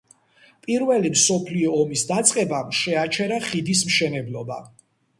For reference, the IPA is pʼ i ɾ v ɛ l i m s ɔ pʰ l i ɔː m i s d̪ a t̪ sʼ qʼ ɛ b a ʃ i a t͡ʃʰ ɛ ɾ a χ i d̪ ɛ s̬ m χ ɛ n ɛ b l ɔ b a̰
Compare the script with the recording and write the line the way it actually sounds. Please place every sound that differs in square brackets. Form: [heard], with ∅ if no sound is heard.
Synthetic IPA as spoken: pʼ i ɾ v ɛ l i m s ɔ pʰ l i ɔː m i s d̪ a t̪ sʼ qʼ ɛ b a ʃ [ɛ] a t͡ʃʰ ɛ ɾ a χ i d̪ [i] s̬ m [ʃ] ɛ n ɛ b l ɔ b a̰